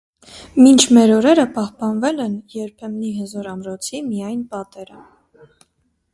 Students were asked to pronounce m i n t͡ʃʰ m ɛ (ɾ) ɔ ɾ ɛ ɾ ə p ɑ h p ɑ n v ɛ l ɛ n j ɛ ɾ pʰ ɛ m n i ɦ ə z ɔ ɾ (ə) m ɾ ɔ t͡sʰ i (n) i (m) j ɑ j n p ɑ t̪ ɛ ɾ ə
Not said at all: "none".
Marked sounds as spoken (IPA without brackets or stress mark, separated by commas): ɾ, ɑ, m, none